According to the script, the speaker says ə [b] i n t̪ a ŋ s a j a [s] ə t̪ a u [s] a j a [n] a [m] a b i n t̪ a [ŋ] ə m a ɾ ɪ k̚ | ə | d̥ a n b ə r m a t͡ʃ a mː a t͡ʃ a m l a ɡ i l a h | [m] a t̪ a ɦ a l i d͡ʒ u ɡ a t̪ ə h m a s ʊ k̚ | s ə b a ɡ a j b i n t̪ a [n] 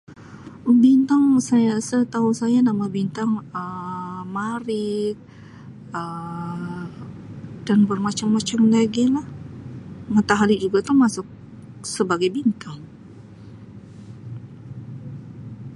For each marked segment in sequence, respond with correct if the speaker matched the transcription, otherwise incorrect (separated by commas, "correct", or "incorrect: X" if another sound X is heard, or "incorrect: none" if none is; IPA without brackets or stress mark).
correct, correct, correct, correct, correct, correct, correct, incorrect: ŋ